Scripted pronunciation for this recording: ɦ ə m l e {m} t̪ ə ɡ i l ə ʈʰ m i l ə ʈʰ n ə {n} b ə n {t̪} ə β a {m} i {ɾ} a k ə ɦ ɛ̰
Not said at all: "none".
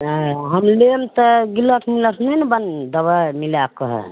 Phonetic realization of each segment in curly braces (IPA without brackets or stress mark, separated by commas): m, n, d̪, m, l